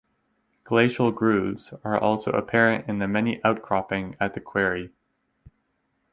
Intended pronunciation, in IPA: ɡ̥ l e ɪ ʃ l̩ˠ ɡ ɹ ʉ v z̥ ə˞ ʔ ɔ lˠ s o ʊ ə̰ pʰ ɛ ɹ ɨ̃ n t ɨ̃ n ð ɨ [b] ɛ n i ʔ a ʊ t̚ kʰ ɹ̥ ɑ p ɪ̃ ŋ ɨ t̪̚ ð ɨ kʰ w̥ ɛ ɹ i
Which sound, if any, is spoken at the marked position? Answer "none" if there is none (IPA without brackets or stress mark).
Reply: m